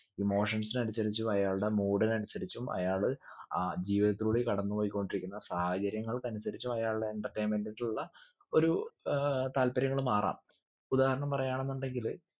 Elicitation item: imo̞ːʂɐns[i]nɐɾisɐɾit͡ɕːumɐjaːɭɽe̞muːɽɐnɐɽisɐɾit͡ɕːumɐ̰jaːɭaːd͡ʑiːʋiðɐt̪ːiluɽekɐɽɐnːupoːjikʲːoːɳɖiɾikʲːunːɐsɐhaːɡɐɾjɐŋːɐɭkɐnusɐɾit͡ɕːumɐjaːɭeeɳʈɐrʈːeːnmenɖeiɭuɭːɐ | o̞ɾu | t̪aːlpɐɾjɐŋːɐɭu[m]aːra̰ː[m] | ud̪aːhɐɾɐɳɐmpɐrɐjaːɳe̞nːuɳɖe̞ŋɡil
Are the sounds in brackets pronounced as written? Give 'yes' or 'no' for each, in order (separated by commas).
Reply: yes, yes, yes